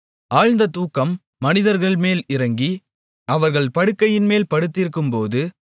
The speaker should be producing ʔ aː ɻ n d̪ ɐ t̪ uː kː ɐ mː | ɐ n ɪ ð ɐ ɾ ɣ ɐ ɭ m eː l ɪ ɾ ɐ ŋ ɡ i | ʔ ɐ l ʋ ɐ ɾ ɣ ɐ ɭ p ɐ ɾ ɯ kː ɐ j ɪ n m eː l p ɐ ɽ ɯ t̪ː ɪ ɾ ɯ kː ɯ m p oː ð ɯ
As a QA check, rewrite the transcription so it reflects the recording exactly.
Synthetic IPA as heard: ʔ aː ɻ n d̪ ɐ t̪ uː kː ɐ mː | ɐ n ɪ ð ɐ ɾ ɣ ɐ ɭ m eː l ɪ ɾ ɐ ŋ ɡ i | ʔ ɐ ʋ ɐ ɾ ɣ ɐ ɭ p ɐ ɽ ɯ kː ɐ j ɪ n m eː l p ɐ ɽ ɯ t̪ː ɪ ɾ ɯ kː ɯ m p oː ð ɯ